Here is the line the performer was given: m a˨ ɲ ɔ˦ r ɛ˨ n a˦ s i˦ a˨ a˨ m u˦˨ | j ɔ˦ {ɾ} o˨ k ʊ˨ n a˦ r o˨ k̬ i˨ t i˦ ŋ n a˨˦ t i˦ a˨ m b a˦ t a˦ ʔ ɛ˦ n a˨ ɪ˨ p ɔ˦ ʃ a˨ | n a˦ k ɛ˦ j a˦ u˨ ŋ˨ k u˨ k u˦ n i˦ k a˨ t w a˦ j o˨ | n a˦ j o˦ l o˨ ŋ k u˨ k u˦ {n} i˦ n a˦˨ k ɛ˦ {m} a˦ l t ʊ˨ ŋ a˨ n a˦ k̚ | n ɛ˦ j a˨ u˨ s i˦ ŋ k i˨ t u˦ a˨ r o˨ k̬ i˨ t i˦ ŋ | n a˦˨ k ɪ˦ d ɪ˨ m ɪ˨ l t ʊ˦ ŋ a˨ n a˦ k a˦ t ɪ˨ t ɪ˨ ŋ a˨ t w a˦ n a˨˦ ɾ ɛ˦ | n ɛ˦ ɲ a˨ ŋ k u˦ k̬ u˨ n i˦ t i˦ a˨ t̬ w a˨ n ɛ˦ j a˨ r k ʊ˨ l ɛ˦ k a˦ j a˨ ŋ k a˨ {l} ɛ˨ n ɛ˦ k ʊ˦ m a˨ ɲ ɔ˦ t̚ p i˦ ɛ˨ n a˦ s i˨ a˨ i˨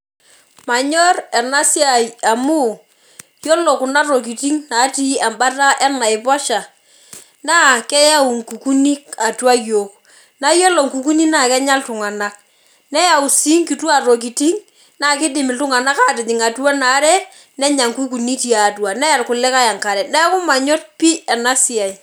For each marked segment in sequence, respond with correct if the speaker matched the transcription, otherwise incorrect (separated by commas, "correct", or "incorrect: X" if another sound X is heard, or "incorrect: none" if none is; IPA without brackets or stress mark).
incorrect: l, correct, incorrect: ɲ, incorrect: ɾ